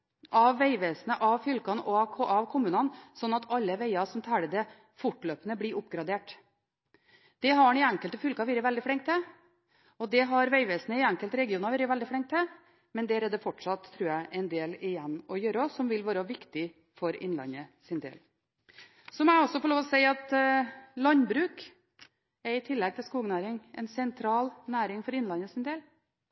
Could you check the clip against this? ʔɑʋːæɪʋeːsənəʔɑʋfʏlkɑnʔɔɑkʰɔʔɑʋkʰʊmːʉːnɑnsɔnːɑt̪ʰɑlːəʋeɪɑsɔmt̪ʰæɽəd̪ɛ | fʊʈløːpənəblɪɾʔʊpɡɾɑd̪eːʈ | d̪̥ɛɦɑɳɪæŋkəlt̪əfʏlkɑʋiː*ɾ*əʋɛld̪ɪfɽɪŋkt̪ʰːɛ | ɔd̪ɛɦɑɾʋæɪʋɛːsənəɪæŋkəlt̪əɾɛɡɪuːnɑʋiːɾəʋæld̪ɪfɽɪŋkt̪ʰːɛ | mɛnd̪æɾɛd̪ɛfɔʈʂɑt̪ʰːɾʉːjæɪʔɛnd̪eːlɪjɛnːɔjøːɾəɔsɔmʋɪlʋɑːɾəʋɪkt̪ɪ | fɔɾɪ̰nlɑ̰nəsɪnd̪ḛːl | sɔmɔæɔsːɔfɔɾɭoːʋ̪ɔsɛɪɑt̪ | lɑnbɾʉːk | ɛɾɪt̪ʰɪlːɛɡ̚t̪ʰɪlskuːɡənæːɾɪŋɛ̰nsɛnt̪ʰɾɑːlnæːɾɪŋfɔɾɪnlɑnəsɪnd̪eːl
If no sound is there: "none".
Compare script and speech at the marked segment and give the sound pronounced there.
ɾ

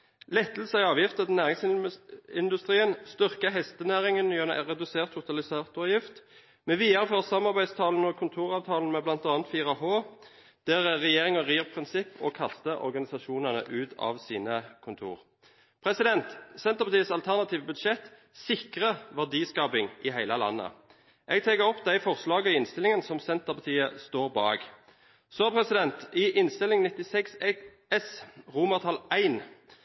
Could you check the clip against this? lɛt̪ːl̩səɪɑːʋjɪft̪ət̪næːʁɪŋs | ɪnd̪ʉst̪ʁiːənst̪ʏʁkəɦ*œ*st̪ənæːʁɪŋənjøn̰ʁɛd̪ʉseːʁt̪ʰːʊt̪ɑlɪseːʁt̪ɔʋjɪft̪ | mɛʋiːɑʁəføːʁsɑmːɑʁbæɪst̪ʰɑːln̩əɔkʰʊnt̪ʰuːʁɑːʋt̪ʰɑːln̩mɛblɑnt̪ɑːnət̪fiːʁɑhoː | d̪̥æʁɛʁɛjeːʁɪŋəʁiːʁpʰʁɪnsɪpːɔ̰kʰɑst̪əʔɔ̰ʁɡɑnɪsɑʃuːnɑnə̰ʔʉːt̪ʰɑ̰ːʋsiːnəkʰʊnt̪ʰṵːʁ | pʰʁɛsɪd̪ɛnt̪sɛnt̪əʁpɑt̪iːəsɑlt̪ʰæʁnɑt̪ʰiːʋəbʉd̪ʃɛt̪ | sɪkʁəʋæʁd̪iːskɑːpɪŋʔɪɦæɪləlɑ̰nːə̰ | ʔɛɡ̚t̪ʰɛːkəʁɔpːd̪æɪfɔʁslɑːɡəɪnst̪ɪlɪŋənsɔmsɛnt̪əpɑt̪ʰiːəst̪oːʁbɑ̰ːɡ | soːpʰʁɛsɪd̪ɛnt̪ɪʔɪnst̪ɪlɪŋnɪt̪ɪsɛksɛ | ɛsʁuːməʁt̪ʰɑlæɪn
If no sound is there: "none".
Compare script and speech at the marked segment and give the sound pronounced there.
ɛ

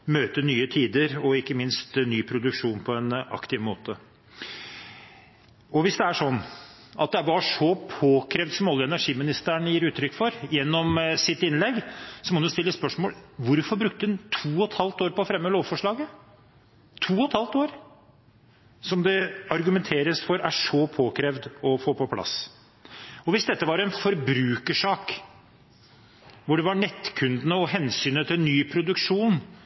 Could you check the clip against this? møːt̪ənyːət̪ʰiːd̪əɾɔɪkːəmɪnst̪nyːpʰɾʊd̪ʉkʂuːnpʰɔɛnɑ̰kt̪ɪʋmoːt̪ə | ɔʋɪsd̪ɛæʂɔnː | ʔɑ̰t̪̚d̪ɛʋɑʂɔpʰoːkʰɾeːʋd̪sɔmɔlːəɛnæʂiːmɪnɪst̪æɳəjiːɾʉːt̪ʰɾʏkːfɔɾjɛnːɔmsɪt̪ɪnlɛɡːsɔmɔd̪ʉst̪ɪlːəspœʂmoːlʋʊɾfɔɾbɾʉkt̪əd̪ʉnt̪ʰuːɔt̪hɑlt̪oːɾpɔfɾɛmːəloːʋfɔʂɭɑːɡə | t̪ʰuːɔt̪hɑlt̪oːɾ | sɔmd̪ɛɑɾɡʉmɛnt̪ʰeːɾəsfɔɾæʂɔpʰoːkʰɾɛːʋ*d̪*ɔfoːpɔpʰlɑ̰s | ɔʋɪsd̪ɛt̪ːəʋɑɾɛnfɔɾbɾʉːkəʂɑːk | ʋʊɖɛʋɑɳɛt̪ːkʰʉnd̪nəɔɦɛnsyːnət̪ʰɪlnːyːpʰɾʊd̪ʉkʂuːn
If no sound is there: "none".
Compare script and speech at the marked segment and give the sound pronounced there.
d̪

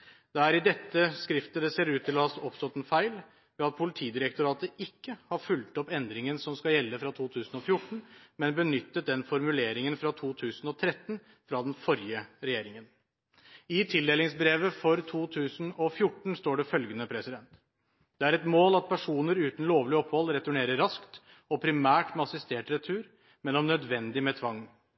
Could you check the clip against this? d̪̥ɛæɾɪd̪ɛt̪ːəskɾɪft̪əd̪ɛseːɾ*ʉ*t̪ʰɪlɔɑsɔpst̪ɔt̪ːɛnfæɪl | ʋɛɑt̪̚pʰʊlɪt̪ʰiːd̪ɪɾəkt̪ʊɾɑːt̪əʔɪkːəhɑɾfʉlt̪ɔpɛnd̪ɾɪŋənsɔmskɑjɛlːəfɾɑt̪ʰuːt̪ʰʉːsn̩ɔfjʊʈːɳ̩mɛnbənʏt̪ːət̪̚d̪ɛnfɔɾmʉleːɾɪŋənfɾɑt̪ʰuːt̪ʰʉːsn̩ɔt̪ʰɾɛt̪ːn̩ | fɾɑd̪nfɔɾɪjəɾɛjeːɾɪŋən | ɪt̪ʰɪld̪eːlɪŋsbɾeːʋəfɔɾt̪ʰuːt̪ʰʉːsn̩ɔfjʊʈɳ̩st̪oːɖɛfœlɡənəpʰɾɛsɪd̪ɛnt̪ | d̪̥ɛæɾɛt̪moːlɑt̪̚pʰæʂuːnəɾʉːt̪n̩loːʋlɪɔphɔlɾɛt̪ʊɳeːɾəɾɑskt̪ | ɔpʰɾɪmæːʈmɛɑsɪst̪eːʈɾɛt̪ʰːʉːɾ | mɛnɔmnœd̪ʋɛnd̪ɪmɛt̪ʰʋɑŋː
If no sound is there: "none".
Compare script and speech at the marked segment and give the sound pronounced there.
ʉː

